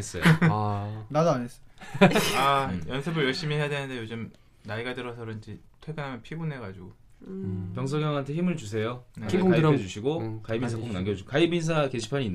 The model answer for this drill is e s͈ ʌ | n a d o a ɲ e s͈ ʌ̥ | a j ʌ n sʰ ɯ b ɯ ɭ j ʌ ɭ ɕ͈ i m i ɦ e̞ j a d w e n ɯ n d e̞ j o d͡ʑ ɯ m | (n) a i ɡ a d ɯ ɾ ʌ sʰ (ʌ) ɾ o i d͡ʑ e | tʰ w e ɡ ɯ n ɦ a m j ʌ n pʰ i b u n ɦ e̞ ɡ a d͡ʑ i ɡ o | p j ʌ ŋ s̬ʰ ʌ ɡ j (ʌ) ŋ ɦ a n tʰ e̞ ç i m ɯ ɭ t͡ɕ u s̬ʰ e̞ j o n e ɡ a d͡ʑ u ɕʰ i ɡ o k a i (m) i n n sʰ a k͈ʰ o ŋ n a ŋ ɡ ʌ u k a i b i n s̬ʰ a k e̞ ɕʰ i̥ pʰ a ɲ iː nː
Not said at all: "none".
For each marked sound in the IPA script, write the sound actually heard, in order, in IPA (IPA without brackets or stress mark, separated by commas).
n, ʌ, ʌ, b